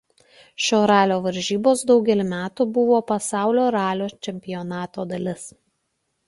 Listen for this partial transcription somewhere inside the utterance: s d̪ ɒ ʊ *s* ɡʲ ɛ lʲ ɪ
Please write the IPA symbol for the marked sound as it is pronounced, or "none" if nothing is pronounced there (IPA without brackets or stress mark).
none